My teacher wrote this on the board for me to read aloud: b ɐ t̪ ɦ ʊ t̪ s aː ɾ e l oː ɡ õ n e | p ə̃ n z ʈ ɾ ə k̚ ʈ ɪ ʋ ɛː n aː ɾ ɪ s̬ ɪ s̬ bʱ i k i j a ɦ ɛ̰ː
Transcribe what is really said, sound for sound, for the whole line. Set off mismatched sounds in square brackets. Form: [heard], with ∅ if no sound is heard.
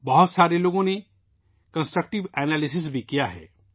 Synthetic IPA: b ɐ [∅] ɦ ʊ t̪ s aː ɾ e l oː ɡ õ n e | [k] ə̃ n [s] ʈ ɾ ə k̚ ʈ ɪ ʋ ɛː n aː [l] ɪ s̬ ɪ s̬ bʱ i k i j a ɦ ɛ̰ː